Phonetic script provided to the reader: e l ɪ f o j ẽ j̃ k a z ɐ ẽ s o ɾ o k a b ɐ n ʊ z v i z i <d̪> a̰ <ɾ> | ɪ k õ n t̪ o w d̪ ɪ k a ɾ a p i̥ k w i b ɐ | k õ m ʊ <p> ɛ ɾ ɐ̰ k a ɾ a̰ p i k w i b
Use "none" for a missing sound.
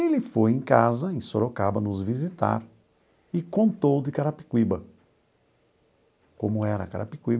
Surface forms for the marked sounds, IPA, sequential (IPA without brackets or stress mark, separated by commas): t̪, ɾ, none